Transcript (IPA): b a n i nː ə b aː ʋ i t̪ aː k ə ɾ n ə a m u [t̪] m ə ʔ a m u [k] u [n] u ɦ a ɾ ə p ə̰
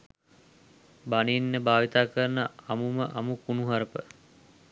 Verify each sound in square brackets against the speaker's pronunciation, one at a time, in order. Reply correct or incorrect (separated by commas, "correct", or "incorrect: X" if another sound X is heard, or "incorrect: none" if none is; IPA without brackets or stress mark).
incorrect: none, correct, correct